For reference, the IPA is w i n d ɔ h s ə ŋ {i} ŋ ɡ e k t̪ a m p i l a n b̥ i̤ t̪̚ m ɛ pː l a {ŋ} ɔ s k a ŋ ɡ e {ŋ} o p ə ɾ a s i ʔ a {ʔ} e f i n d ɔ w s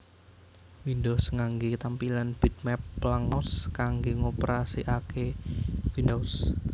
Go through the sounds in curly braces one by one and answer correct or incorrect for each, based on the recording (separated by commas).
incorrect, correct, correct, incorrect